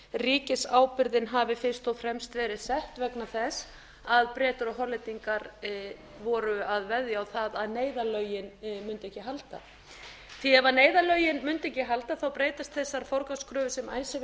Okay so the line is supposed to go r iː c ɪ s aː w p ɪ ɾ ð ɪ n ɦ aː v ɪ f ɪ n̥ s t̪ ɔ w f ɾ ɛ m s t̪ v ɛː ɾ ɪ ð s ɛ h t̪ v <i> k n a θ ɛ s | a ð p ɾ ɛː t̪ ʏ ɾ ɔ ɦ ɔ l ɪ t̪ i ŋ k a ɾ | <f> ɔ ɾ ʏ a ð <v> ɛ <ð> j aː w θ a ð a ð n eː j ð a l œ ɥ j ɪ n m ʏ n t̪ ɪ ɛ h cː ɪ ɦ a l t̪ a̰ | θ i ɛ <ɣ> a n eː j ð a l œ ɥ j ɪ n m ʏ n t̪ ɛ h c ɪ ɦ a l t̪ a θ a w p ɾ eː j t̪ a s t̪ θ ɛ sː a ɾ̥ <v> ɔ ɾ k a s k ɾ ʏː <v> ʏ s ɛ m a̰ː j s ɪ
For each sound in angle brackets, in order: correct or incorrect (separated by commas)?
incorrect, incorrect, correct, correct, incorrect, incorrect, correct